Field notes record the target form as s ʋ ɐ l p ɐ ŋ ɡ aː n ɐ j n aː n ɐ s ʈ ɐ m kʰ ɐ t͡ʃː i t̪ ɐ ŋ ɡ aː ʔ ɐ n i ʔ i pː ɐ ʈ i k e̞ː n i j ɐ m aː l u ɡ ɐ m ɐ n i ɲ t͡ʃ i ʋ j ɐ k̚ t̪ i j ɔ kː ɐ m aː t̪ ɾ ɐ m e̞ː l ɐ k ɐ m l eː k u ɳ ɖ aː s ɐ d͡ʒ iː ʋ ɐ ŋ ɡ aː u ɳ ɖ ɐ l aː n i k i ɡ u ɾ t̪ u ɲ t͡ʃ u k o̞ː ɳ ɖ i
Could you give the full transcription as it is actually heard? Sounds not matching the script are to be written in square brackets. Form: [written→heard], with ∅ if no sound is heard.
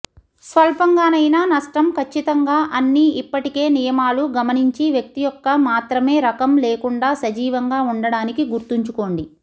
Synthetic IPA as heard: s ʋ ɐ l p ɐ ŋ ɡ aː n ɐ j n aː n ɐ [s→ʂ] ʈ ɐ m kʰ ɐ t͡ʃː i t̪ ɐ ŋ ɡ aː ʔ ɐ [n→nː] i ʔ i pː ɐ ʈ i k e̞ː n i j ɐ m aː l u ɡ ɐ m ɐ n i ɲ t͡ʃ i ʋ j ɐ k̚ t̪ i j ɔ kː ɐ m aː t̪ ɾ ɐ m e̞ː [l→ɾ] ɐ k ɐ m l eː k u ɳ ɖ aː s ɐ d͡ʒ iː ʋ ɐ ŋ ɡ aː u ɳ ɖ ɐ [l→ɽ] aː n i k i ɡ u ɾ t̪ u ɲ t͡ʃ u k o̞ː ɳ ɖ i